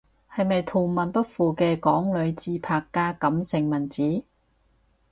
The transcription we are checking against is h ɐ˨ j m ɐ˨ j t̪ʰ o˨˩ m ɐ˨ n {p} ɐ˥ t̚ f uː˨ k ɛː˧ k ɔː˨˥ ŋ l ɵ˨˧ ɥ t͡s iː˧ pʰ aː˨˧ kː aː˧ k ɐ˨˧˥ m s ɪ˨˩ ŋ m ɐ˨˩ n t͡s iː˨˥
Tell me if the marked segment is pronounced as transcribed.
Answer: yes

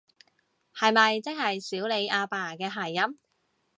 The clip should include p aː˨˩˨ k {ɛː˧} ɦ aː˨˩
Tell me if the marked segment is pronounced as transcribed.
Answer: yes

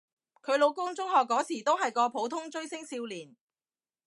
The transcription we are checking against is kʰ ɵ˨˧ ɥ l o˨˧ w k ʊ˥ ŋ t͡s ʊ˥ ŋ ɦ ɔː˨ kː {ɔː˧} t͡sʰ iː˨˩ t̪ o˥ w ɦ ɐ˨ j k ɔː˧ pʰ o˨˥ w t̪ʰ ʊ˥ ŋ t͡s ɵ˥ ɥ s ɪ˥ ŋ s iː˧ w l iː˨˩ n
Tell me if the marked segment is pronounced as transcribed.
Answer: no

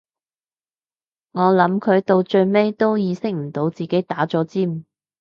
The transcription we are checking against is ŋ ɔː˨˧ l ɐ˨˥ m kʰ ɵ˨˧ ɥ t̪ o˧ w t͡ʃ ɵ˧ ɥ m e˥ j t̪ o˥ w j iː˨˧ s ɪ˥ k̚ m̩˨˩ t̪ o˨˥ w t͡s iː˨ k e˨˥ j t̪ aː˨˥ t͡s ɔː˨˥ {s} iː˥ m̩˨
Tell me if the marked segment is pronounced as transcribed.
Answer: no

